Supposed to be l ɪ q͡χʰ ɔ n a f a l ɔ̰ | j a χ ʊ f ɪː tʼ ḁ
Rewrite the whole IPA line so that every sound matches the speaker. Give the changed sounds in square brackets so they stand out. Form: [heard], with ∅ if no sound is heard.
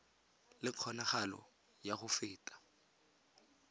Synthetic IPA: l ɪ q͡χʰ ɔ n a [χ] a l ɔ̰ | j a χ ʊ f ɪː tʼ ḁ